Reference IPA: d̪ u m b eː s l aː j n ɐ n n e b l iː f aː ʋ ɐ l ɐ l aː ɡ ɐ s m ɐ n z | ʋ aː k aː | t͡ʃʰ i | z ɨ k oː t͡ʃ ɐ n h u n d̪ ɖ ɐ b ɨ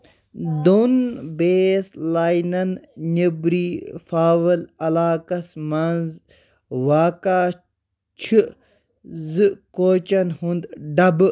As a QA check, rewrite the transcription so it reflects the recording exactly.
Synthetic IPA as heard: d̪ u n b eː s l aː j n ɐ n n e b ɾ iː f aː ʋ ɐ l ɐ l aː k ɐ s m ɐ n z | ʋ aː k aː | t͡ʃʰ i | z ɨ k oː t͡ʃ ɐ n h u n d̪ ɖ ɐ b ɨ